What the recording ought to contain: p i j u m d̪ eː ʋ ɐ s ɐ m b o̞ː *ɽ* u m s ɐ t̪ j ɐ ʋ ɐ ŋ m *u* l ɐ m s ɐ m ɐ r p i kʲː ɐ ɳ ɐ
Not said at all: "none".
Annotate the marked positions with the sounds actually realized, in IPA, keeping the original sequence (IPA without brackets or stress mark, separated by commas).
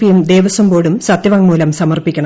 ɽ, uː